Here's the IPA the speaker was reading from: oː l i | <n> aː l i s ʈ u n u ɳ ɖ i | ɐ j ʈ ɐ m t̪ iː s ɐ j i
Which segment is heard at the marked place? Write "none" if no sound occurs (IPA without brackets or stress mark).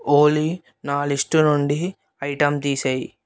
n